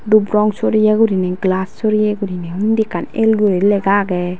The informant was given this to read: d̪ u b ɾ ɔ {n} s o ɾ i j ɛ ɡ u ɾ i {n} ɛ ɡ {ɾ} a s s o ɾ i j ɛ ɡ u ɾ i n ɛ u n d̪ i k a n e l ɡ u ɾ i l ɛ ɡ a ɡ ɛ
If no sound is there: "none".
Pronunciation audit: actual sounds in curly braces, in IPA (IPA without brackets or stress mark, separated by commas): ŋ, n, l